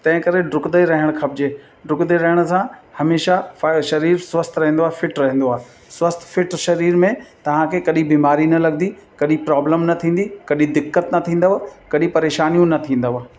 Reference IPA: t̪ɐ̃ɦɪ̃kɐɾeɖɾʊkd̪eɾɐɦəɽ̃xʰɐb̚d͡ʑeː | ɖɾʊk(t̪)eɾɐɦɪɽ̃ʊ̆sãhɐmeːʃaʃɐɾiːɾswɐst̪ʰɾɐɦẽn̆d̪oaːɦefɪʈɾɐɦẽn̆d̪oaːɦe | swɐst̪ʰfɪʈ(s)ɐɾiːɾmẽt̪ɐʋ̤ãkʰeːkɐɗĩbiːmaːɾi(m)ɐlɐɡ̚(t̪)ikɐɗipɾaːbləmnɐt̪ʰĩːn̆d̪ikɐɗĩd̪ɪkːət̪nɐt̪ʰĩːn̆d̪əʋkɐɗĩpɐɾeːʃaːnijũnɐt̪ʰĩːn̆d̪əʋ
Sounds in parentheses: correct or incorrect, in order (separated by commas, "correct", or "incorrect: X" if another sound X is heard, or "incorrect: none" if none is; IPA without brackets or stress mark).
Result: incorrect: d̪, incorrect: ʃ, incorrect: n, incorrect: d̪